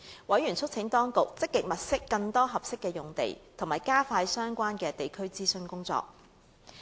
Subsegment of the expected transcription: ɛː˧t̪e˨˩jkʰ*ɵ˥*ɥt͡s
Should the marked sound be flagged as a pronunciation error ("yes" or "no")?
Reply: no